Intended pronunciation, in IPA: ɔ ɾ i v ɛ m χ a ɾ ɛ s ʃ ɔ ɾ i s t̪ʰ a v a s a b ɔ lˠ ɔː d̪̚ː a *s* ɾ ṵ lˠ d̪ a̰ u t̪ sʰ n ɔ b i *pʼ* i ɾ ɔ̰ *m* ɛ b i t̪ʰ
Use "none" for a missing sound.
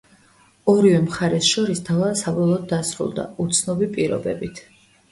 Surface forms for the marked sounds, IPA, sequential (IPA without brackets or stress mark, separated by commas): s, pʼ, b